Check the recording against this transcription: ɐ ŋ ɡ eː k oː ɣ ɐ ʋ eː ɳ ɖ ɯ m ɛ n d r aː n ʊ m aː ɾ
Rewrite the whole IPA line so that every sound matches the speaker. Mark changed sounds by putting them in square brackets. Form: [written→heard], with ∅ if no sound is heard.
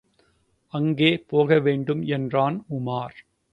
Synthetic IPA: ɐ ŋ ɡ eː [k→p] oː ɣ ɐ ʋ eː ɳ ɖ ɯ m ɛ n d r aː n ʊ m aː ɾ

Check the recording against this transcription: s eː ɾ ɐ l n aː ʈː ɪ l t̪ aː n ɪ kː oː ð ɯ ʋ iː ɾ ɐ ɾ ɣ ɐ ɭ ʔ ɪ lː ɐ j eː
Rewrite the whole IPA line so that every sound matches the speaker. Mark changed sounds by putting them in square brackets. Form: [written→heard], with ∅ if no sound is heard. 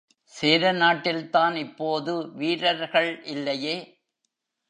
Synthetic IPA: s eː ɾ ɐ [l→∅] n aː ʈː ɪ l t̪ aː n ɪ [kː→pː] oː ð ɯ ʋ iː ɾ ɐ ɾ ɣ ɐ ɭ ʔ ɪ lː ɐ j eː

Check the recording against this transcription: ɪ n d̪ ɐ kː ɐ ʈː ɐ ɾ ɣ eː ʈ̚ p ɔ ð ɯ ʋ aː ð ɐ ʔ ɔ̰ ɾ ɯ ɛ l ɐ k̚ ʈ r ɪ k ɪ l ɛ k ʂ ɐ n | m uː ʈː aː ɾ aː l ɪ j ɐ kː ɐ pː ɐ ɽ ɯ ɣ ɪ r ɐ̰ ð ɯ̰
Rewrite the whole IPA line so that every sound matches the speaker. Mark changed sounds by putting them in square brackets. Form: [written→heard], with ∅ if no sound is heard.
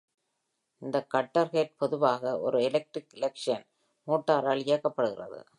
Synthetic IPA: ɪ n d̪ ɐ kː ɐ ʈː ɐ ɾ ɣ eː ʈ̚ p ɔ ð ɯ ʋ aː [ð→ɣ] ɐ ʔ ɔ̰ ɾ ɯ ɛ l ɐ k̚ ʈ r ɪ k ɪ l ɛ k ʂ ɐ n | m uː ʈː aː ɾ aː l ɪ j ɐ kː ɐ pː ɐ ɽ ɯ ɣ ɪ r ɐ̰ ð ɯ̰

